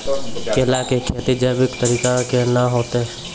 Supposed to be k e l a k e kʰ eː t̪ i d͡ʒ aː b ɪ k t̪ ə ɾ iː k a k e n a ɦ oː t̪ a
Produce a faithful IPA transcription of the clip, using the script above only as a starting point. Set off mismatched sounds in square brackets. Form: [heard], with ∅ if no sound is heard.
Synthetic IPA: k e l a k e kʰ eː t̪ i d͡ʒ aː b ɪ k t̪ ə ɾ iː k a k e n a ɦ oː t̪ [e]